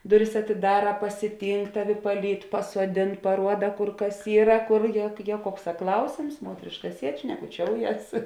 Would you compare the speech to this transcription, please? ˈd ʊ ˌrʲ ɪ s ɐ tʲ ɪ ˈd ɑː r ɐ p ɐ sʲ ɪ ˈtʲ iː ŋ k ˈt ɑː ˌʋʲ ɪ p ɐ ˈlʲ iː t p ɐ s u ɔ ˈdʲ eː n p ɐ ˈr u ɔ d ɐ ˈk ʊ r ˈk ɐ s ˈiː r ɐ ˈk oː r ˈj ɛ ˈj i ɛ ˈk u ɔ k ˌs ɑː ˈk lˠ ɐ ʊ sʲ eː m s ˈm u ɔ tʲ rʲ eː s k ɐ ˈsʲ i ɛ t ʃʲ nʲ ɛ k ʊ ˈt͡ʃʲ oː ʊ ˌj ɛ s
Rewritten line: ˈd ʊ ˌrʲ ɪ s ɐ tʲ ɪ ˈd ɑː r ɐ p ɐ sʲ ɪ ˈtʲ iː ŋ k ˈt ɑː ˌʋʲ ɪ p ɐ ˈlʲ iː t p ɐ s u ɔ ˈdʲ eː n p ɐ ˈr u ɔ d ɐ ˈk ʊ r ˈk ɐ s ˈiː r ɐ ˈk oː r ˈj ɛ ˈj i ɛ ˈk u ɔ k ˌs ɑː ˈk lˠ ɐ ʊ sʲ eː m s ˈm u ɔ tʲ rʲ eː ʃ k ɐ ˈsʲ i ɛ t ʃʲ nʲ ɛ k ʊ ˈt͡ʃʲ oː ʊ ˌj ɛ s